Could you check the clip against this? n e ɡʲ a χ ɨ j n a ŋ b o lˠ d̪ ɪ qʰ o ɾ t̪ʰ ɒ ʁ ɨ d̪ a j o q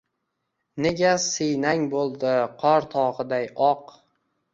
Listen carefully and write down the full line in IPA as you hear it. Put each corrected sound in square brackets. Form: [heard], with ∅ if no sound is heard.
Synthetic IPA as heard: n e ɡʲ a [s] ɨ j n a ŋ b o lˠ d̪ ɪ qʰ [ɒ] ɾ t̪ʰ ɒ ʁ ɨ d̪ a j [ɒ] q